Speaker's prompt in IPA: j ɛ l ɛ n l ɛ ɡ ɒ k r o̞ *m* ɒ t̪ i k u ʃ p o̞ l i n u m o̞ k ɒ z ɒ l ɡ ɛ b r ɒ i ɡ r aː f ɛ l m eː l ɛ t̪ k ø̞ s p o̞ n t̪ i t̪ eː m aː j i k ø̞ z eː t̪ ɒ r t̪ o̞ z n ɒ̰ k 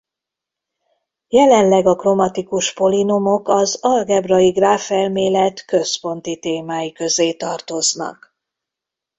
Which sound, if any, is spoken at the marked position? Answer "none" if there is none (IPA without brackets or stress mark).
m